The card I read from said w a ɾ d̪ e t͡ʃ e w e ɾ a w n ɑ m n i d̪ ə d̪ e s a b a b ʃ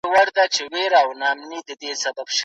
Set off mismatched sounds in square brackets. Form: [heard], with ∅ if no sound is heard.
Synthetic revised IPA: w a ɾ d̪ [a] t͡ʃ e w e ɾ a w n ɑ m n i d̪ ə d̪ e s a b a b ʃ